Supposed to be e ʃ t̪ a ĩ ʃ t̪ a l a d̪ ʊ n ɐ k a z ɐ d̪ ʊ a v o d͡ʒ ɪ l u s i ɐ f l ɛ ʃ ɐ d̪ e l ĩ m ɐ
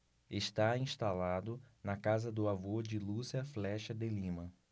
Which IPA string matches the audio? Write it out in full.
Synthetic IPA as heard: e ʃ t̪ a ĩ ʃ t̪ a l a d̪ ʊ n ɐ k a z ɐ d̪ ʊ a v o d͡ʒ ɪ l u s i ɐ f l ɛ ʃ ɐ d̪ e l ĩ m ɐ

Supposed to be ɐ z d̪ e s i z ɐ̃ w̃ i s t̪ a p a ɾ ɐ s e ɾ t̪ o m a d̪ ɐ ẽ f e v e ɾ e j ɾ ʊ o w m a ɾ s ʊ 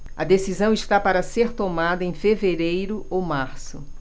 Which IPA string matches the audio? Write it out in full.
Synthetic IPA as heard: ɐ d̪ e s i z ɐ̃ w̃ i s t̪ a p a ɾ ɐ s e ɾ t̪ o m a d̪ ɐ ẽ f e v e ɾ e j ɾ ʊ o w m a ɾ s ʊ

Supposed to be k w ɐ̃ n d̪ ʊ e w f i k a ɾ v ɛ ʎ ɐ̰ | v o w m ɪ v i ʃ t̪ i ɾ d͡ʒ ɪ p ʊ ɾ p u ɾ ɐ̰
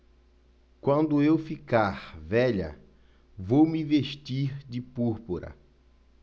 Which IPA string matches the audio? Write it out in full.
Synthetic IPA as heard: k w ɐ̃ n d̪ ʊ e w f i k a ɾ v ɛ ʎ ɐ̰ | v o w m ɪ v e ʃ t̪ i ɾ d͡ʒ ɪ p u ɾ p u ɾ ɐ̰

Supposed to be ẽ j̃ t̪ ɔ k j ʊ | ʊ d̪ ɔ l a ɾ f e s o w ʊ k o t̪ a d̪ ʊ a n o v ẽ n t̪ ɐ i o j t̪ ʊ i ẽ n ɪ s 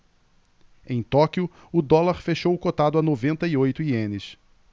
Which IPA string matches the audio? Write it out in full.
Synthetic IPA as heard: ẽ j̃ t̪ ɔ k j ʊ | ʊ d̪ ɔ l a ɾ f e ʃ o w ʊ k o t̪ a d̪ ʊ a n o v ẽ n t̪ ɐ i o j t̪ ʊ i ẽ n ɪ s

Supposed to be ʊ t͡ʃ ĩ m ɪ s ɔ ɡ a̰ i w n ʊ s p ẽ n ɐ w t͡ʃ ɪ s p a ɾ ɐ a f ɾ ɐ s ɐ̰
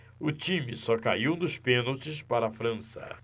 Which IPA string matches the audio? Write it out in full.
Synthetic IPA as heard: ʊ t͡ʃ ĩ m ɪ s ɔ k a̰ i w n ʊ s p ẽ n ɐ w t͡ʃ ɪ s p a ɾ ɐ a f ɾ ɐ̃ s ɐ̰

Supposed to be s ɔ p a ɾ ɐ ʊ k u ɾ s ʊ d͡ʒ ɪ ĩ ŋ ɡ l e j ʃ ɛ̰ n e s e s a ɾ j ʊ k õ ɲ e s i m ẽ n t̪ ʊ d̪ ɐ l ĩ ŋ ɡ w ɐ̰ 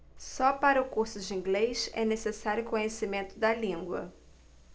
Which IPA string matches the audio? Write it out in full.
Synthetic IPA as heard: s ɔ p a ɾ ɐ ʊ k u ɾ s ʊ d͡ʒ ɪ ĩ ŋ ɡ l e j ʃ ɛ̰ n e s e s a ɾ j ʊ k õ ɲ e s i m ẽ n t̪ ʊ d̪ ɐ l ĩ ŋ ɡ w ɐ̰

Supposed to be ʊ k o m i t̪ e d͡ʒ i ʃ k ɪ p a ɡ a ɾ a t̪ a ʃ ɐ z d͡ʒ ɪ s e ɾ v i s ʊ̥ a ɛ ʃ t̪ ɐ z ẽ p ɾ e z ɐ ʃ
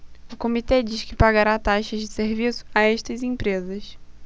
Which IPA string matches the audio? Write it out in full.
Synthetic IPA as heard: ʊ k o m i t̪ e d͡ʒ i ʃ k ɪ p a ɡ a ɾ a t̪ a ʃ ɐ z d͡ʒ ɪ s e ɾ v i s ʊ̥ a ɛ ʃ t̪ ɐ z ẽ p ɾ e z ɐ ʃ

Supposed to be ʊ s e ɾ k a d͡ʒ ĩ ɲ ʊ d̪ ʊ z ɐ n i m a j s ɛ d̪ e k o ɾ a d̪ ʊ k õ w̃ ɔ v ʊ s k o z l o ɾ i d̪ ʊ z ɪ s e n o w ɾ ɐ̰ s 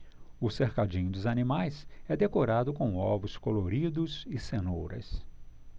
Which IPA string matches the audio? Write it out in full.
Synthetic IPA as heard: ʊ s e ɾ k a d͡ʒ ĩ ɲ ʊ d̪ ʊ z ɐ n i m a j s ɛ d̪ e k o ɾ a d̪ ʊ k õ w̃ ɔ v ʊ s k o l o ɾ i d̪ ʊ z ɪ s e n o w ɾ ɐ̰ s

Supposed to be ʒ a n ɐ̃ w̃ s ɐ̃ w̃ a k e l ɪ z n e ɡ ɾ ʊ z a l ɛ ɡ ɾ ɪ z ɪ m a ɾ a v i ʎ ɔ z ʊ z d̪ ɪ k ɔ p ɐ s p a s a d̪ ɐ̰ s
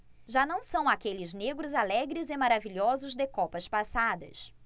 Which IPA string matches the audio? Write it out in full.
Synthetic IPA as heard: ʒ a n ɐ̃ w̃ s ɐ̃ w̃ a k e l ɪ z n e ɡ ɾ ʊ z a l ɛ ɡ ɾ ɪ z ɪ m a ɾ a v i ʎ ɔ z ʊ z d̪ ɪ k ɔ p ɐ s p a s a d̪ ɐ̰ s

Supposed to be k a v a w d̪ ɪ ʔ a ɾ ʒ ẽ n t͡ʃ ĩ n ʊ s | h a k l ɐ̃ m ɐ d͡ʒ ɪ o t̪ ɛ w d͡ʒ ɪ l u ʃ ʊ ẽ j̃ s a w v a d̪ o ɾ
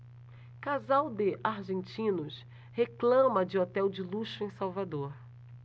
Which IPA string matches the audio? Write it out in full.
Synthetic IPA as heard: k a z a w d̪ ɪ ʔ a ɾ ʒ ẽ n t͡ʃ ĩ n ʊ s | h e k l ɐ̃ m ɐ d͡ʒ ɪ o t̪ ɛ w d͡ʒ ɪ l u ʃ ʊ ẽ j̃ s a w v a d̪ o ɾ

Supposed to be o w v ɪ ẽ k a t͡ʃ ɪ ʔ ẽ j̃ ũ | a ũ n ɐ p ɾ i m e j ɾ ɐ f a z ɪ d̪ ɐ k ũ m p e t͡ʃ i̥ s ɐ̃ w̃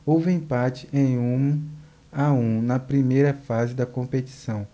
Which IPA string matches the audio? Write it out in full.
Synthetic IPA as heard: o w v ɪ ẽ p a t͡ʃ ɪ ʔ ẽ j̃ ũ | a ũ n ɐ p ɾ i m e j ɾ ɐ f a z ɪ d̪ ɐ k õ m p e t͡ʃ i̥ s ɐ̃ w̃

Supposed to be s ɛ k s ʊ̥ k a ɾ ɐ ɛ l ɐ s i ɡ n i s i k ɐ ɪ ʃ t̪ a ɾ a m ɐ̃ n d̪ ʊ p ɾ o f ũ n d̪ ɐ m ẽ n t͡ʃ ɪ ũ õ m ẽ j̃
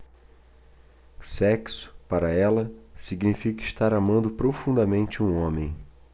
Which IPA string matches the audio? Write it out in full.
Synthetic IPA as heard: s ɛ k s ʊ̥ p a ɾ ɐ ɛ l ɐ s i ɡ n i f i k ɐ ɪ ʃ t̪ a ɾ a m ɐ̃ n d̪ ʊ p ɾ o f ũ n d̪ ɐ m ẽ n t͡ʃ ɪ ũ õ m ẽ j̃

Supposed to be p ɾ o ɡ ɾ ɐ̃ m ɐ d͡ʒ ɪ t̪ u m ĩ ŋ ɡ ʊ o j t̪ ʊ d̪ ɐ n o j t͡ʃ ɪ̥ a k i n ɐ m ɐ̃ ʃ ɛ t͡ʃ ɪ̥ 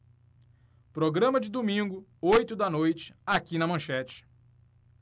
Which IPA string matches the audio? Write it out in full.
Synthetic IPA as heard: p ɾ o ɡ ɾ ɐ̃ m ɐ d͡ʒ ɪ d̪ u m ĩ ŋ ɡ ʊ o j t̪ ʊ d̪ ɐ n o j t͡ʃ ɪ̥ a k i n ɐ m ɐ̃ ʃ ɛ t͡ʃ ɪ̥

